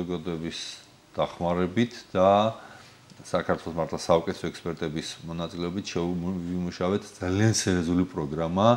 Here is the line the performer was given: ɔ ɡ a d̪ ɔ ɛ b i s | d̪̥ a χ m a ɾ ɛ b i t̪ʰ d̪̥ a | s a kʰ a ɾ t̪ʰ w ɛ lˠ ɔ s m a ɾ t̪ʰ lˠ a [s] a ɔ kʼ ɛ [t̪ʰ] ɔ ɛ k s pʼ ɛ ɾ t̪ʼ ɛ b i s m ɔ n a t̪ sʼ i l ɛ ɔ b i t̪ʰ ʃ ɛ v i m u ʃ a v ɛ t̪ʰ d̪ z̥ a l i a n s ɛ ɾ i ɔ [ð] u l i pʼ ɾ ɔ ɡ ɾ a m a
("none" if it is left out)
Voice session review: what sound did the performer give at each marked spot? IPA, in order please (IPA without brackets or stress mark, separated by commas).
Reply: s, t̪ʰ, z